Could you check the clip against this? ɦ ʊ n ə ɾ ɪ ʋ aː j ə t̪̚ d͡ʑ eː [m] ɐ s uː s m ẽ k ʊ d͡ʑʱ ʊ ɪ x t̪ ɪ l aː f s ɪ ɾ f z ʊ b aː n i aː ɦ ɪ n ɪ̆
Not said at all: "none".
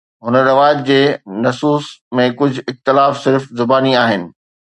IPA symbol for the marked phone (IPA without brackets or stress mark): n